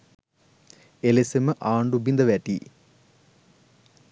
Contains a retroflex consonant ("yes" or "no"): yes